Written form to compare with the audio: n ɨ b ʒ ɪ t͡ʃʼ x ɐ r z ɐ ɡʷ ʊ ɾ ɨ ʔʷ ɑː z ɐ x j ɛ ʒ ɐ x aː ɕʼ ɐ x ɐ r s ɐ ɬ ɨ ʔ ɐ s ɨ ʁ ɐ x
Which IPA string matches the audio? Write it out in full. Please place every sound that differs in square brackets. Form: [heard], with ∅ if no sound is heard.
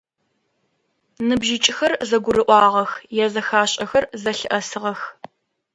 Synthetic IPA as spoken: n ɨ b ʒ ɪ t͡ʃʼ x ɐ r z ɐ ɡʷ ʊ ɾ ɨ ʔʷ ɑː [ʁ] ɐ x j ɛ [z] ɐ x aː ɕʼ ɐ x ɐ r [z] ɐ ɬ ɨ ʔ ɐ s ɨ ʁ ɐ x